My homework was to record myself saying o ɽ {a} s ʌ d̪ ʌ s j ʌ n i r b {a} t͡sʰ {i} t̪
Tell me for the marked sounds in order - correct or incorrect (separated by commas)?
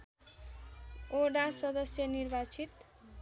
correct, correct, correct